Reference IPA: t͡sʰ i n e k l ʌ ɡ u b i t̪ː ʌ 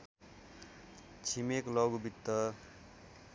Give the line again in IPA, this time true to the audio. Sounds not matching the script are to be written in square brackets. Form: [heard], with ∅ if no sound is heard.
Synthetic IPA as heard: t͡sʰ i [m] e k l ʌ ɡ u b i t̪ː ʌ